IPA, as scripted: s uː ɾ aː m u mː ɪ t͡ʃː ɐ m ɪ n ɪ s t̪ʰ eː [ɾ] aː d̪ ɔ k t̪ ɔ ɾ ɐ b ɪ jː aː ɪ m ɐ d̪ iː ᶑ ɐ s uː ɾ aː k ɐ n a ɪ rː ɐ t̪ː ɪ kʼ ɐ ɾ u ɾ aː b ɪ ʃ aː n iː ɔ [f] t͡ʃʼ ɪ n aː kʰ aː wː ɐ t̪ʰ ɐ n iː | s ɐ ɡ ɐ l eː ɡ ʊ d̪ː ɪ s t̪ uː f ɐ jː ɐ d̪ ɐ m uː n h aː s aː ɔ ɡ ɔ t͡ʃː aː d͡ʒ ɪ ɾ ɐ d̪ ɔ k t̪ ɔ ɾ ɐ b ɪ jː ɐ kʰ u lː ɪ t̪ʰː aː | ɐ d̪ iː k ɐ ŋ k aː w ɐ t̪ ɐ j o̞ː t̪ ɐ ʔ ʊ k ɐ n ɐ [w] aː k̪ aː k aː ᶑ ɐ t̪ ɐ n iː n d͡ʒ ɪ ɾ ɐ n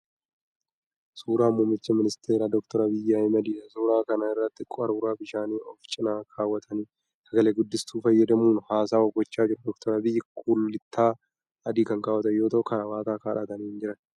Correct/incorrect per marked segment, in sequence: correct, correct, correct

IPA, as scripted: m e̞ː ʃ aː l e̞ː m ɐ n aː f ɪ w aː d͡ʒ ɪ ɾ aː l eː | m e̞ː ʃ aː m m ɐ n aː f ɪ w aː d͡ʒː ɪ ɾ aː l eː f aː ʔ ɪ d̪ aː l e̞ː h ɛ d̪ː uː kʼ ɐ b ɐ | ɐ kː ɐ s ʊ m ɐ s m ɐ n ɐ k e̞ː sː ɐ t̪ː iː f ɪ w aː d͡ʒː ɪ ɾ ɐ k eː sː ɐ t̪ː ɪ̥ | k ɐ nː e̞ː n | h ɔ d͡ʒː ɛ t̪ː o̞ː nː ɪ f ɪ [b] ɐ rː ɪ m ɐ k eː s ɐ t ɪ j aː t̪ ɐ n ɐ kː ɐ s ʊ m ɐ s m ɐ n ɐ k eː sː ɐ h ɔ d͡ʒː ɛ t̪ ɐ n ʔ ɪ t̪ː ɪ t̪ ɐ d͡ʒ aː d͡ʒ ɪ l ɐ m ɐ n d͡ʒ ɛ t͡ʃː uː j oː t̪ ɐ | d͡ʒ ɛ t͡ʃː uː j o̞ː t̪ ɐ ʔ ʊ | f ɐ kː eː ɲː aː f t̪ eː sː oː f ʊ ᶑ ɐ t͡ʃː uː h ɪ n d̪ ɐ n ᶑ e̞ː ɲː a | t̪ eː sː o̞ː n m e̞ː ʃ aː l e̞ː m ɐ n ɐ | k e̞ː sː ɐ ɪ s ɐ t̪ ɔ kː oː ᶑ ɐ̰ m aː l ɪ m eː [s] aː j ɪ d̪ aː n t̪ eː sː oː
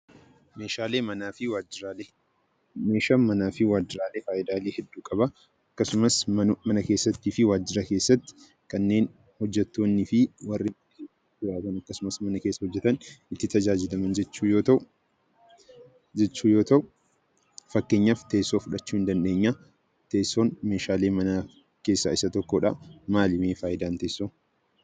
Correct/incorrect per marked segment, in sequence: incorrect: w, incorrect: f

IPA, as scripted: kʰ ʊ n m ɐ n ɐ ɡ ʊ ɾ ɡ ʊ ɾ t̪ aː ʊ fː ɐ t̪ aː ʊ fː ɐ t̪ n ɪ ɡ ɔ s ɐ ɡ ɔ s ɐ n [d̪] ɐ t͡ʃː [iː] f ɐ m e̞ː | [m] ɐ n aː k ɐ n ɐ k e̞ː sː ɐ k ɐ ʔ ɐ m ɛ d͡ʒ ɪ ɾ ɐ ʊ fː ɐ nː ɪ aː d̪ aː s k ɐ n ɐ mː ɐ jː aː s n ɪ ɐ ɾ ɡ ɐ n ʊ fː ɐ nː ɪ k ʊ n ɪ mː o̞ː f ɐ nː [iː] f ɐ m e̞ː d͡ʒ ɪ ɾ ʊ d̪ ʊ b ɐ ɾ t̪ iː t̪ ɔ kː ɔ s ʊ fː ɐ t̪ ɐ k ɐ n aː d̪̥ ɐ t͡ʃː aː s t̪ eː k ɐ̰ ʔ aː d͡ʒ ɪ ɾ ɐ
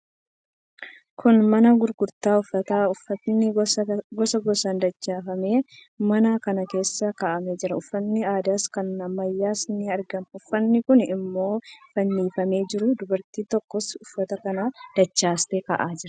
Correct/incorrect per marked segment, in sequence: correct, incorrect: aː, correct, correct

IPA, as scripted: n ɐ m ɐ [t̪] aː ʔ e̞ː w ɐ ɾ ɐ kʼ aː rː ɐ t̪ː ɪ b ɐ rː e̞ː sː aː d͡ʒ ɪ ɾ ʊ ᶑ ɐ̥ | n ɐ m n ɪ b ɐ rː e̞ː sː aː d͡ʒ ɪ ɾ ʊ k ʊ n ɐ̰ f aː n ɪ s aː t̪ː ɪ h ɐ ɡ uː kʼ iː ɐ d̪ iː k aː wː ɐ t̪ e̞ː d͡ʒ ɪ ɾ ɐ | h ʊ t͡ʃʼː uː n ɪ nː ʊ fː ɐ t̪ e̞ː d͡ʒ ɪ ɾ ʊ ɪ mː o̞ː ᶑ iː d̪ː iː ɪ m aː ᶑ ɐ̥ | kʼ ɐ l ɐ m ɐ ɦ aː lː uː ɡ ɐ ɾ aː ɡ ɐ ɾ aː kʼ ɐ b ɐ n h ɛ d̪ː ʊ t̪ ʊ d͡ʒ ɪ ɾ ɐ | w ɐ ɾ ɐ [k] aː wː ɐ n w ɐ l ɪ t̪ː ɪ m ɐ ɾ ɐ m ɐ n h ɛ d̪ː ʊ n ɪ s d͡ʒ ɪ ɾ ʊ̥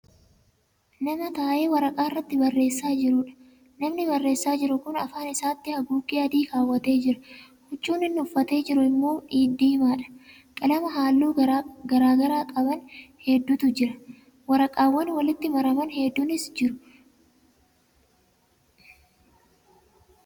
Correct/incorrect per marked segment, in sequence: correct, incorrect: kʼ

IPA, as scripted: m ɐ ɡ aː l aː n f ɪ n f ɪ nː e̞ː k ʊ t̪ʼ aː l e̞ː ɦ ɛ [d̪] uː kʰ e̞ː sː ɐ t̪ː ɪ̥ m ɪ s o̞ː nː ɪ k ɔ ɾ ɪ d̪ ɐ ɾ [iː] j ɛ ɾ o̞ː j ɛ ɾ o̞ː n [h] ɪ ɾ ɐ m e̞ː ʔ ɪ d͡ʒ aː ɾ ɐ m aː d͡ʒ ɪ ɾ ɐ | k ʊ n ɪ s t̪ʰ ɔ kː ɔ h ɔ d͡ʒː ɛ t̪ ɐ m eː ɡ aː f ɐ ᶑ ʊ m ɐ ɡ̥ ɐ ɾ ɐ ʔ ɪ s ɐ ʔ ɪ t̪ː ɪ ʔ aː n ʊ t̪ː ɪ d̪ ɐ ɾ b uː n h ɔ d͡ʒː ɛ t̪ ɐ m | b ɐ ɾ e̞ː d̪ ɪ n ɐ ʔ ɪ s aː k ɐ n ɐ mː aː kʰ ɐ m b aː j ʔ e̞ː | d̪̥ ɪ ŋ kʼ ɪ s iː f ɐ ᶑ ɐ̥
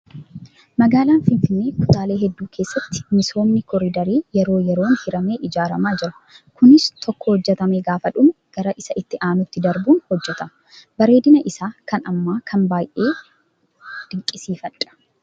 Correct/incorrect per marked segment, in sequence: incorrect: d̪ː, correct, correct

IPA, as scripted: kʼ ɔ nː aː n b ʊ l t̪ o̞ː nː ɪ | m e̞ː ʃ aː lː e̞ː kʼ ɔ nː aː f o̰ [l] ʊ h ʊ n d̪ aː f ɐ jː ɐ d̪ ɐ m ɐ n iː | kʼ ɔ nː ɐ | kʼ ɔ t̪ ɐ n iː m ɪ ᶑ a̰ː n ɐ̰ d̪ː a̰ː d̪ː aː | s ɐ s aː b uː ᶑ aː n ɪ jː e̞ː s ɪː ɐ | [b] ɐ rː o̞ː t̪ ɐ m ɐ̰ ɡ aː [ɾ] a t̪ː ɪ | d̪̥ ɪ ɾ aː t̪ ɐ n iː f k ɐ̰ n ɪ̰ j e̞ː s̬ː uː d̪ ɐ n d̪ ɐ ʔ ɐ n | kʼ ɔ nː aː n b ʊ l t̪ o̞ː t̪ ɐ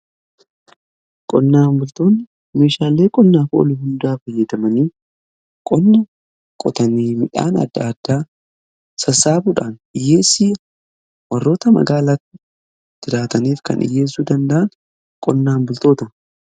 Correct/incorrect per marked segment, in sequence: correct, incorrect: w, incorrect: l

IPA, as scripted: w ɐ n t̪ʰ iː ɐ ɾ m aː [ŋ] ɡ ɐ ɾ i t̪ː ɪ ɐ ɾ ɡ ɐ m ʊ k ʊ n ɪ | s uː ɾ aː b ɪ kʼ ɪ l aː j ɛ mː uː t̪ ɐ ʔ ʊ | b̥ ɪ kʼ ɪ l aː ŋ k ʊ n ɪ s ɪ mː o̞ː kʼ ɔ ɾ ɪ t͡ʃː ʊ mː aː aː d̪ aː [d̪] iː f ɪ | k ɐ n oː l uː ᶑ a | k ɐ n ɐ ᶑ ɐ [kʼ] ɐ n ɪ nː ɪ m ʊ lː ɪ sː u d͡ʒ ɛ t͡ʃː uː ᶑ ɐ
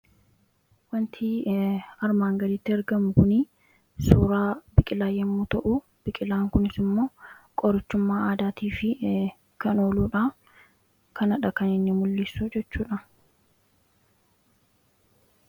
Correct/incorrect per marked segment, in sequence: correct, incorrect: t̪, incorrect: k

